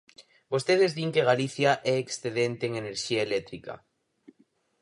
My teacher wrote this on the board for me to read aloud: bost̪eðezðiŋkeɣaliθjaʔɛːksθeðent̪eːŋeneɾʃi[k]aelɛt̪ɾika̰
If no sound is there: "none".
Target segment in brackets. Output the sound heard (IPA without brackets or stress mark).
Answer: none